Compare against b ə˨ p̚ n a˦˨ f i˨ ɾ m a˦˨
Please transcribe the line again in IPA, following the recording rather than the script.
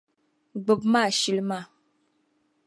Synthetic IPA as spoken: ɡ͡b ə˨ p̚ m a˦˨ ʃ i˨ l m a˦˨